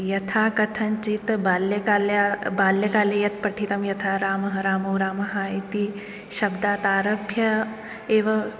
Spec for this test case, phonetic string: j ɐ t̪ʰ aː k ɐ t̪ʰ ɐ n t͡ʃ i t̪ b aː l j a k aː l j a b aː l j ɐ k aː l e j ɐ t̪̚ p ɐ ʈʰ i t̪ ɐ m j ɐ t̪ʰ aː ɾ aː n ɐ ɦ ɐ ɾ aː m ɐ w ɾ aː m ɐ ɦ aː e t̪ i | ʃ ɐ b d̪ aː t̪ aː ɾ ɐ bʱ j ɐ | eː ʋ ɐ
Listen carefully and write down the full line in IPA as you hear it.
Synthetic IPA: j ɐ t̪ʰ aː k ɐ t̪ʰ ɐ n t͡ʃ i t̪ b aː l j ɐ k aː l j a b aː l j ɐ k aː l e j ɐ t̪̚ p ɐ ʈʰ i t̪ ɐ m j ɐ t̪ʰ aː ɾ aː m ɐ ɦ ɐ ɾ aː m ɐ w ɾ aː m ɐ ɦ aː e t̪ i | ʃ ɐ b d̪ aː t̪ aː ɾ ɐ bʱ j ɐ | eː ʋ ɐ